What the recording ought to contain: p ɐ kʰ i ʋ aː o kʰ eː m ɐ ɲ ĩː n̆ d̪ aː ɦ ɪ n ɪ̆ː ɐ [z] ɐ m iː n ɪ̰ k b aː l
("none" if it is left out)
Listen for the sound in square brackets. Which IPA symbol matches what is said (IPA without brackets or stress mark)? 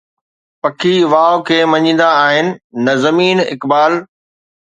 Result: z